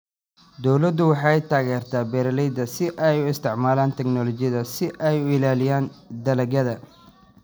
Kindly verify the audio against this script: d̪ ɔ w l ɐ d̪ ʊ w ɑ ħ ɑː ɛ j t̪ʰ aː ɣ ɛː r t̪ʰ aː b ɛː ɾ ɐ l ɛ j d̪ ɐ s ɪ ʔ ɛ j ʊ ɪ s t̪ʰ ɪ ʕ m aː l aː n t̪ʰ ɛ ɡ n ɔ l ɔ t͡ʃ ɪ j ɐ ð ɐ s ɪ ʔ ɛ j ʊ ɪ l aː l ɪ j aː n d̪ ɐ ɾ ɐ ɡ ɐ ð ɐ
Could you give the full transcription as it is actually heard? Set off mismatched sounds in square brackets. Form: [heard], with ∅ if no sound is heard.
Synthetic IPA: d̪ ɔ w l ɐ d̪ ʊ w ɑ ħ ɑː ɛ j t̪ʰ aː ɣ ɛː r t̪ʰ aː b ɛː ɾ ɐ l ɛ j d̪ ɐ s ɪ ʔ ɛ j ʊ ɪ s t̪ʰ ɪ ʕ m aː l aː n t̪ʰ ɛ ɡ n ɔ l ɔ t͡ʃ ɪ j ɐ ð ɐ s ɪ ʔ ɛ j ʊ ɪ l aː l ɪ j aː n d̪ ɐ [l] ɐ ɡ ɐ ð ɐ